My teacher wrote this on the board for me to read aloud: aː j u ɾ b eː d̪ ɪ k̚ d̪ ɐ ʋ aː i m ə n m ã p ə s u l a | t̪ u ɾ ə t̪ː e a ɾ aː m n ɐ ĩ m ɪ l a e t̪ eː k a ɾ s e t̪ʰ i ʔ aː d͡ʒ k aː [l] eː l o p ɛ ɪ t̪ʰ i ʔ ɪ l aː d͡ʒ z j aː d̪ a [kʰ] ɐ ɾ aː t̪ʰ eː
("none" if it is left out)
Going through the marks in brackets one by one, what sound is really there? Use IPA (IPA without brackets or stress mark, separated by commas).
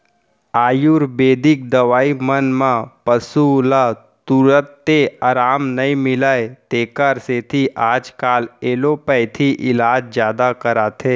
l, k